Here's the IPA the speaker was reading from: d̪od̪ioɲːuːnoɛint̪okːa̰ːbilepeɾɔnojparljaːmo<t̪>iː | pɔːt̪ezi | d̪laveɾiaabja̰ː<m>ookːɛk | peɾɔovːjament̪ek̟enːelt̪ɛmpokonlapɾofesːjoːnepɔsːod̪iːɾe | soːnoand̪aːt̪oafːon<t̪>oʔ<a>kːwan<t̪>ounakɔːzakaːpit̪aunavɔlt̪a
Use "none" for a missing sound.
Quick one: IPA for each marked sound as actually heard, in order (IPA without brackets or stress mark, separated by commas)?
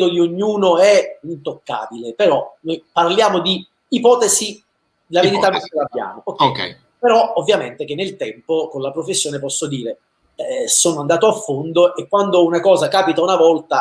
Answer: d̪, m, d̪, e, d̪